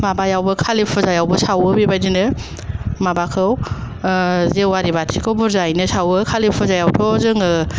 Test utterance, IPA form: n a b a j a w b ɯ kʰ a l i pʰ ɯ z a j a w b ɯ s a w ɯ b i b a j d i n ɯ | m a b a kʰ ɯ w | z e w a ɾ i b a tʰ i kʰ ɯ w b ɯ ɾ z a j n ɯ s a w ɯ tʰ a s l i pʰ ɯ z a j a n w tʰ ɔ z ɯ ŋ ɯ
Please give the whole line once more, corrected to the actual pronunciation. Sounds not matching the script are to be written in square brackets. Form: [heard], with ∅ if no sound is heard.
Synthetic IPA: [m] a b a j a w b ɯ kʰ a l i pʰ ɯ z a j a w b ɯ s a w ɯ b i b a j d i n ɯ | m a b a kʰ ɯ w | z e w a ɾ i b a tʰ i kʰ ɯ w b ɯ ɾ z a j n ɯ s a w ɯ [kʰ] a [∅] l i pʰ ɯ z a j a [∅] w tʰ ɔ z ɯ ŋ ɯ